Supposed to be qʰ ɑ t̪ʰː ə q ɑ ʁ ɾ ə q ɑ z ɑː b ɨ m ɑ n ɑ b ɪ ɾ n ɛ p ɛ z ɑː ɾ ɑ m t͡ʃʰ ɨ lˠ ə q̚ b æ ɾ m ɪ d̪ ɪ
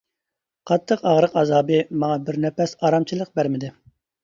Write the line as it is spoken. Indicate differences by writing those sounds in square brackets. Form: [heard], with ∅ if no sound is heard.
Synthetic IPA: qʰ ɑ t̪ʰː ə q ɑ ʁ ɾ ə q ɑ z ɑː b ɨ m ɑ [ŋ] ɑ b ɪ ɾ n ɛ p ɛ [s] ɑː ɾ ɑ m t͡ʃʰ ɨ lˠ ə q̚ b æ ɾ m ɪ d̪ ɪ